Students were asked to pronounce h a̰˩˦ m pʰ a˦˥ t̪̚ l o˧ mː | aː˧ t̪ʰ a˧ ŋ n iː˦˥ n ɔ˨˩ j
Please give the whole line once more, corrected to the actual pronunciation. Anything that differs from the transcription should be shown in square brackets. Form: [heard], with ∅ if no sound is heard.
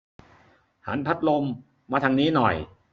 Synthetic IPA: h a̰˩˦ [n] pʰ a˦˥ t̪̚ l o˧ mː | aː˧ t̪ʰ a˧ ŋ n iː˦˥ n ɔ˨˩ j

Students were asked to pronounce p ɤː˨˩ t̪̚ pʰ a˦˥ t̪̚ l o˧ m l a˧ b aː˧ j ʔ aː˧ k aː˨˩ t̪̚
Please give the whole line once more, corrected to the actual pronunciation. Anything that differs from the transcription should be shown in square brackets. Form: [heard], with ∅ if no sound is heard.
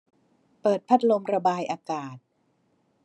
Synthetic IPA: p ɤː˨˩ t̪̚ pʰ a˦˥ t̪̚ l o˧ m [ɾ] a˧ b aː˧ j ʔ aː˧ k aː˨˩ t̪̚

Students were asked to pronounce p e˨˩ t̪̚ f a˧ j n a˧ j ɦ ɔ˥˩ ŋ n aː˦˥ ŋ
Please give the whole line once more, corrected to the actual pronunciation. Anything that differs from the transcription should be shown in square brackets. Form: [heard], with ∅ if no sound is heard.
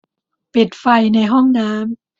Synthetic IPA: p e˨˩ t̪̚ f a˧ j n a˧ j ɦ ɔ˥˩ ŋ n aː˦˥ [m]

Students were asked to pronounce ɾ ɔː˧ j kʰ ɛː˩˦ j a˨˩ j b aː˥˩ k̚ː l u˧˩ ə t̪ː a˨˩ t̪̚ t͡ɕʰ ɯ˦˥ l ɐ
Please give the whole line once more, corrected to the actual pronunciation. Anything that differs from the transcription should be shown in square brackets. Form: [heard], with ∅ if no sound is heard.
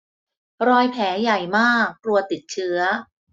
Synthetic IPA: ɾ ɔː˧ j [pʰ] ɛː˩˦ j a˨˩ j [m] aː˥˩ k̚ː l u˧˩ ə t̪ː [i˨˩] t̪̚ t͡ɕʰ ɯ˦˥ [∅] ɐ

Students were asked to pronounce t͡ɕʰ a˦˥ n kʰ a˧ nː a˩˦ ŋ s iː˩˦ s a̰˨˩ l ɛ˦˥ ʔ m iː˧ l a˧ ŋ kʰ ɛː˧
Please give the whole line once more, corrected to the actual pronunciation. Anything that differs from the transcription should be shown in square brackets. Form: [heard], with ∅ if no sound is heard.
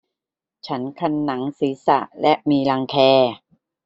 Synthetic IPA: t͡ɕʰ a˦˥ n kʰ a˧ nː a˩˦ ŋ s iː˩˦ s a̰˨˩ l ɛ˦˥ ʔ m iː˧ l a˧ ŋ kʰ ɛː˧

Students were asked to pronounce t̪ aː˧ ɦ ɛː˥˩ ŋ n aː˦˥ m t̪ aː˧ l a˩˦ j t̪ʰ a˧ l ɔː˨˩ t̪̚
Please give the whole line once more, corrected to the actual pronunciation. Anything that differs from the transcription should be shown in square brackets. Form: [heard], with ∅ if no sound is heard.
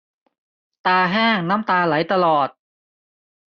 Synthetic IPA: t̪ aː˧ ɦ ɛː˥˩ ŋ n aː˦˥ m t̪ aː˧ l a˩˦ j [t̪] a˧ l ɔː˨˩ t̪̚

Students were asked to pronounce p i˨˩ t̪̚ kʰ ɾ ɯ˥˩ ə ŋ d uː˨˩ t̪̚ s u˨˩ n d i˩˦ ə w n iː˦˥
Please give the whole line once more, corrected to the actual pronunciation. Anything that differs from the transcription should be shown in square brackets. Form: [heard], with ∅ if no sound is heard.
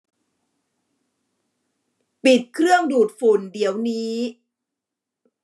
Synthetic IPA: p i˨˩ t̪̚ kʰ ɾ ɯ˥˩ ə ŋ d uː˨˩ t̪̚ [f] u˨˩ n d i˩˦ ə w n iː˦˥

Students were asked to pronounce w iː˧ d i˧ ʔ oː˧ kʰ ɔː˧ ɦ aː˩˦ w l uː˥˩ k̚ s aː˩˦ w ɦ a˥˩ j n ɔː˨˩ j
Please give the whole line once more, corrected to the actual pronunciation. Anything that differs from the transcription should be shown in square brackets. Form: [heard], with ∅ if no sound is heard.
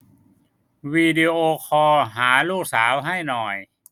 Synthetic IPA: w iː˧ d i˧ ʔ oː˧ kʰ ɔː˧ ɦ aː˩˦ [∅] l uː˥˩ k̚ s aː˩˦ w ɦ a˥˩ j n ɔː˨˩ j

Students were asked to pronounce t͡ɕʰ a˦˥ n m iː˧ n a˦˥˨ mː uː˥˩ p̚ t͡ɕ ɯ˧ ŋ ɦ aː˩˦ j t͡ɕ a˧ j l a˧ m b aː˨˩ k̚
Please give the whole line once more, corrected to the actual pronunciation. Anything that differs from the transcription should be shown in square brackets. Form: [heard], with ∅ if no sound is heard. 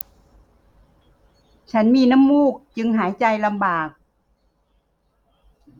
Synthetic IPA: t͡ɕʰ a˦˥ n m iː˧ n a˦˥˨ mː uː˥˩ [k̚] t͡ɕ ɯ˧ ŋ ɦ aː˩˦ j t͡ɕ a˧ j l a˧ m b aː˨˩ k̚

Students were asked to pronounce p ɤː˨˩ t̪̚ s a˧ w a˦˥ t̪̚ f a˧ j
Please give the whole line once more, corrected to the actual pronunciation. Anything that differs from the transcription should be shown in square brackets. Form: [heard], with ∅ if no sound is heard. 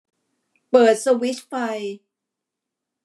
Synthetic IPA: p ɤː˨˩ t̪̚ s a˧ w [i˦˥] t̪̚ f a˧ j

